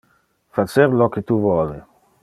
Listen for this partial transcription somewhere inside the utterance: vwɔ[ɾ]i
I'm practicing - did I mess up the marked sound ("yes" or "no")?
yes